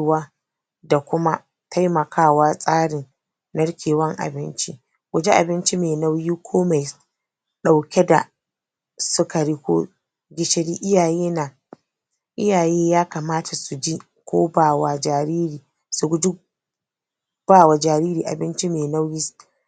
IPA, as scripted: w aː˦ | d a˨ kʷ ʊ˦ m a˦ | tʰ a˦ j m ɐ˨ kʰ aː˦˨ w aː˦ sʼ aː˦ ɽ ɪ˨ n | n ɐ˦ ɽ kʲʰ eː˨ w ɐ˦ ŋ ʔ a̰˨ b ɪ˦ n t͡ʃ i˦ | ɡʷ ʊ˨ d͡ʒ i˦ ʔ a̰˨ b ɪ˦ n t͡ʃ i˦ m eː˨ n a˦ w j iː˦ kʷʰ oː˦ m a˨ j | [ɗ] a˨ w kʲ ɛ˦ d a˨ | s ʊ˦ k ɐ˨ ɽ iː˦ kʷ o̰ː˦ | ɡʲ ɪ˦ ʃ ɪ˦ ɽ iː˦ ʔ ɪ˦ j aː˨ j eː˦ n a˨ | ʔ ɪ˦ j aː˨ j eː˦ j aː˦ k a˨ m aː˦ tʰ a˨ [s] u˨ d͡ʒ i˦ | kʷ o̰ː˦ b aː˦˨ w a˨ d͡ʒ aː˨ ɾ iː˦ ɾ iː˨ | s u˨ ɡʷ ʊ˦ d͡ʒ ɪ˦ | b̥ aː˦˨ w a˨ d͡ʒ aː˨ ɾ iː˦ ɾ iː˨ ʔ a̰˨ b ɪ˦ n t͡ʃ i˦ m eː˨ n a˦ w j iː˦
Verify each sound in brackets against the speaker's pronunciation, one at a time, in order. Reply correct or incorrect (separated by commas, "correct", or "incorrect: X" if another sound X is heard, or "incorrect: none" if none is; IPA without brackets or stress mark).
correct, correct